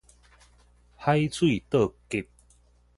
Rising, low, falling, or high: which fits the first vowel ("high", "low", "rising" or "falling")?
high